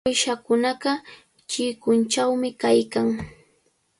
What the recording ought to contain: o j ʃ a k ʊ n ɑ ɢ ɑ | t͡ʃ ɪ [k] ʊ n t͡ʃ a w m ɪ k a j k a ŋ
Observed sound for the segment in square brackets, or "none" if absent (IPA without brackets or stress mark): k